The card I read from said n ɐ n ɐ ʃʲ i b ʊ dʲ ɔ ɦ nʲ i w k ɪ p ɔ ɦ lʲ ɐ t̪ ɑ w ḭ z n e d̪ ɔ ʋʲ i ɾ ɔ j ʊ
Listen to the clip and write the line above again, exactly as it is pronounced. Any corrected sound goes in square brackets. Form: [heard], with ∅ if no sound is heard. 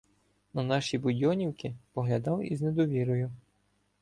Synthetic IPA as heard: n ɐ n [ɑ] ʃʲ i b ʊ dʲ ɔ [∅] nʲ i w k ɪ p ɔ ɦ lʲ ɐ [d̪] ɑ w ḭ z n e d̪ ɔ ʋʲ i ɾ ɔ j ʊ